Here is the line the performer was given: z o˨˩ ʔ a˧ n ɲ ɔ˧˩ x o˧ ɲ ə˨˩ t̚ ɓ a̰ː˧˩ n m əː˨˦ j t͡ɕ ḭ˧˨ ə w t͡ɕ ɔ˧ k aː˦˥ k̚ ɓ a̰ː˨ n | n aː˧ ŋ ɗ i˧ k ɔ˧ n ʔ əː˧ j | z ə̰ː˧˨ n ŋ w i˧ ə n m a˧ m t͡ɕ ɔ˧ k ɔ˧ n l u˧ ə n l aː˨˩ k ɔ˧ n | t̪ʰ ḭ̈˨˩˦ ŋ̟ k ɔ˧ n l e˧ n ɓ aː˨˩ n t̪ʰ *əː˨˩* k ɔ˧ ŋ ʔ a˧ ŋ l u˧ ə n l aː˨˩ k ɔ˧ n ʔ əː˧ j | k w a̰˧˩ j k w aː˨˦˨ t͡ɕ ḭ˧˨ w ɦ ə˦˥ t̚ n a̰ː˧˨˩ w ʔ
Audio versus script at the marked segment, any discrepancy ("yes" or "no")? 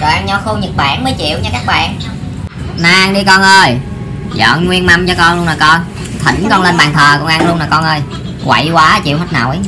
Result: no